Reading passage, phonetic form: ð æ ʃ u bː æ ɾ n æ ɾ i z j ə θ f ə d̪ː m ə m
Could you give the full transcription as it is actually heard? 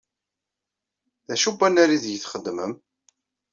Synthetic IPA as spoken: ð æ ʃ u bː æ n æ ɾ i ð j ə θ χ ə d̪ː m ə m